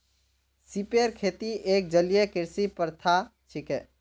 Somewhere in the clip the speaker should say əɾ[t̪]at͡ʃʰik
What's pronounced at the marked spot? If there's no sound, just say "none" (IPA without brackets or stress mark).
t̪ʰ